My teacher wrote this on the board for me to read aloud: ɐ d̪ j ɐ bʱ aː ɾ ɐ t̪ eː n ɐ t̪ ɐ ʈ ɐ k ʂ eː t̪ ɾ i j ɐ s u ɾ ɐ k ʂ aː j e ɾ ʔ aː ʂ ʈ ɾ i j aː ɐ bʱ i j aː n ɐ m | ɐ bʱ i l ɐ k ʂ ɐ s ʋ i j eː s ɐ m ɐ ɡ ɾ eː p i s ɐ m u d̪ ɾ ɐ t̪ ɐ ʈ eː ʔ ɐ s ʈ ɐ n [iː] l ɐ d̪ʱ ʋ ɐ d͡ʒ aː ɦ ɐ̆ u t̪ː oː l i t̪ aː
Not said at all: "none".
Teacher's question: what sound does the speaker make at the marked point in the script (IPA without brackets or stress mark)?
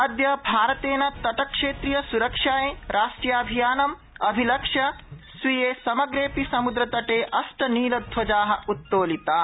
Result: iː